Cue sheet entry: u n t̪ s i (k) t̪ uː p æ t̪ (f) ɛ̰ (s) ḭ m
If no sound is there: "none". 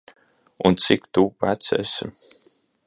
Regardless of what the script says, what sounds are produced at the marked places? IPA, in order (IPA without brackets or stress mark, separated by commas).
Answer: k, s, s